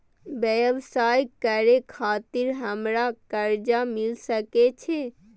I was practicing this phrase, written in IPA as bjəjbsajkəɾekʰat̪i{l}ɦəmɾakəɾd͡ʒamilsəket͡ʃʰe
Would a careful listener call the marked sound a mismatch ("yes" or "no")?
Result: yes